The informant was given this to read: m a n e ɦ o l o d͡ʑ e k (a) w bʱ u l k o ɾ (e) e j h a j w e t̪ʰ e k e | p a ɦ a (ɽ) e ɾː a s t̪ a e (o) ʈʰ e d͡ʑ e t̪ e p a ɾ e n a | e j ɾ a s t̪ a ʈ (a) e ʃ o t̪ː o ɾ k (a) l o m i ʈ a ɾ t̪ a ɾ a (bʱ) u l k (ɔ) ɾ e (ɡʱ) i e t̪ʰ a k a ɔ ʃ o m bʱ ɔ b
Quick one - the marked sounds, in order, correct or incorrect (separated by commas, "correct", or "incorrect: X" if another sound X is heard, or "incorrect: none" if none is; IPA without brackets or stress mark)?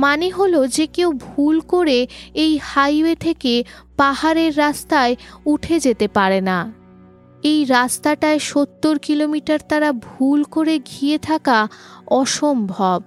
incorrect: e, correct, incorrect: ɾ, incorrect: u, correct, incorrect: i, correct, incorrect: o, correct